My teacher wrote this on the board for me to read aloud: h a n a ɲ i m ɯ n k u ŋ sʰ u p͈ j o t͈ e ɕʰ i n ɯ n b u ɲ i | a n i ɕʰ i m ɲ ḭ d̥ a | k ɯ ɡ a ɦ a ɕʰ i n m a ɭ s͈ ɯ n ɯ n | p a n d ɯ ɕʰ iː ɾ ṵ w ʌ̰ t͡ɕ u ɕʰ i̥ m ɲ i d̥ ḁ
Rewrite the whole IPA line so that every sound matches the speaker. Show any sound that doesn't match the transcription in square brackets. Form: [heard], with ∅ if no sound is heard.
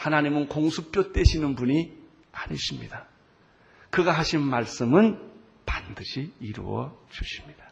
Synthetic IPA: h a n a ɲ i m ɯ n k [o] ŋ sʰ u p͈ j o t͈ e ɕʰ i n ɯ n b u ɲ i | a [ɲ] i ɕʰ i m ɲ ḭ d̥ a | k ɯ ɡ a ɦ a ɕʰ i n m a ɭ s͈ ɯ [m] ɯ n | p a n d ɯ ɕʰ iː ɾ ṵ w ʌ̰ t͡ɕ u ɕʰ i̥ m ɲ i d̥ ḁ